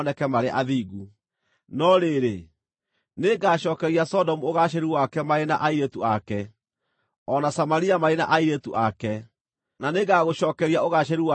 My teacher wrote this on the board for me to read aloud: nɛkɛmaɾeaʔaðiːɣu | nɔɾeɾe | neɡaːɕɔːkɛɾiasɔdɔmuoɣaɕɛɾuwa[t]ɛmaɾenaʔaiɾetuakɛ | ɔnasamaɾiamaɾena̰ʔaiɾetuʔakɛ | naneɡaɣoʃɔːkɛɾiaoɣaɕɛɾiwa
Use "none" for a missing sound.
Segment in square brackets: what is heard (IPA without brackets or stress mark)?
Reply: k